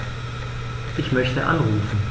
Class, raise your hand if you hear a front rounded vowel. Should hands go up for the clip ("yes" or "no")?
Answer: yes